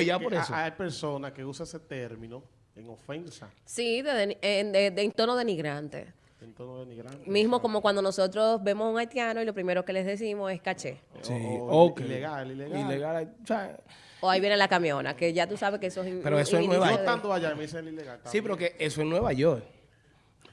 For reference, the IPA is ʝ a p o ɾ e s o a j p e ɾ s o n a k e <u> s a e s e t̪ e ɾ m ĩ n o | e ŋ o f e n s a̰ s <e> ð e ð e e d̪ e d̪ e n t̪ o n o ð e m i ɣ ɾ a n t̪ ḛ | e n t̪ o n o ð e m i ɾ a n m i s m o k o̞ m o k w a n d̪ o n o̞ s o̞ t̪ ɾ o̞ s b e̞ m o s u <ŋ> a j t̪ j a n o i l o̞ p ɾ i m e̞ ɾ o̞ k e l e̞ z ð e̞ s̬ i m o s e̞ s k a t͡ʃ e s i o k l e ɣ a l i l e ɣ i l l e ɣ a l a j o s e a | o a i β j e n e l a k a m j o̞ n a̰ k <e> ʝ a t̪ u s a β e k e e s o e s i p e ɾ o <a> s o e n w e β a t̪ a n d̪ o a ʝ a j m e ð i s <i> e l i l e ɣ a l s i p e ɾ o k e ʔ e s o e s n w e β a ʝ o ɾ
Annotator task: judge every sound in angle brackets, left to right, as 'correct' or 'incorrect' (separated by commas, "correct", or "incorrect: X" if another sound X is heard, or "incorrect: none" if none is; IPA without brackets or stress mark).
correct, incorrect: i, correct, correct, incorrect: e, incorrect: e